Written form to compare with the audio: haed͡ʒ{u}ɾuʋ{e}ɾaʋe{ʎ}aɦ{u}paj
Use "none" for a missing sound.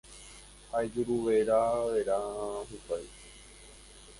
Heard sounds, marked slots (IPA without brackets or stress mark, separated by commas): u, e, ɾ, u